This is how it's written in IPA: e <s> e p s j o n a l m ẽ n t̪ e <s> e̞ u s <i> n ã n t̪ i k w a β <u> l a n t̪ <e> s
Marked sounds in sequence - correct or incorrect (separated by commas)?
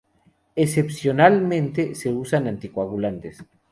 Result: correct, correct, incorrect, correct, correct